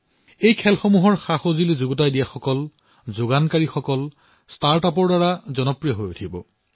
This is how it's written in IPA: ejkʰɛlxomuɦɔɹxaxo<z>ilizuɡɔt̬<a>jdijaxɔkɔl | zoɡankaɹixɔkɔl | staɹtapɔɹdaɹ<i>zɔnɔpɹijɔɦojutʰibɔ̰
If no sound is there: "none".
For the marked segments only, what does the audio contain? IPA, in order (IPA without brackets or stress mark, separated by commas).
z, a, a